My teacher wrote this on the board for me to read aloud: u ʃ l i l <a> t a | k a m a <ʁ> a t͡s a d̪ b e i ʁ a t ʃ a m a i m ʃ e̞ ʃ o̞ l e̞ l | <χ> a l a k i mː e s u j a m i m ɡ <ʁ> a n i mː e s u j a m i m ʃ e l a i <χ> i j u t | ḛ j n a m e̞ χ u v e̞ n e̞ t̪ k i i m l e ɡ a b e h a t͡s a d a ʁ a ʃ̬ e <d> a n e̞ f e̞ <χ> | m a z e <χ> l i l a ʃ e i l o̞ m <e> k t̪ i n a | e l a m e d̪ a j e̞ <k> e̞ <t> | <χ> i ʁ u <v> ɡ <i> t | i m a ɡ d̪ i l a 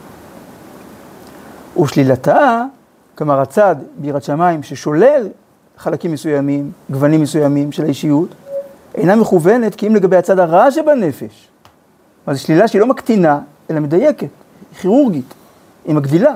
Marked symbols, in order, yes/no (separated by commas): yes, yes, yes, no, no, no, no, no, no, yes, yes, yes, no, yes